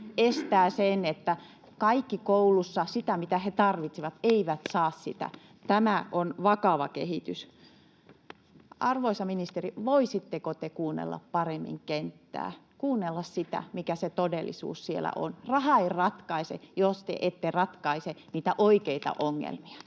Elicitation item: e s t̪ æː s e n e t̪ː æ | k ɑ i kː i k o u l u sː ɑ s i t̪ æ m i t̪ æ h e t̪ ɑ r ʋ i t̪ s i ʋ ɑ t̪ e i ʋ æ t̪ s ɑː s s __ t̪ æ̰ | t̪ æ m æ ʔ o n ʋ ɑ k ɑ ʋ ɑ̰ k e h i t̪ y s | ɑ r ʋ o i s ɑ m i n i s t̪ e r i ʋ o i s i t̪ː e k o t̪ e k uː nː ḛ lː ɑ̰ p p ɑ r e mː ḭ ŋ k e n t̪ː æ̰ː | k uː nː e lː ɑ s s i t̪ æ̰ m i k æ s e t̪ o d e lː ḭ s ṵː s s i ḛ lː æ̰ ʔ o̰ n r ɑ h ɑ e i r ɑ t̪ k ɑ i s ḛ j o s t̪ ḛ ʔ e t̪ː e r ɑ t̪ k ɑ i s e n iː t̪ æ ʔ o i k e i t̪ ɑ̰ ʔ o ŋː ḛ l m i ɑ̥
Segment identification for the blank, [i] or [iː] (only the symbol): i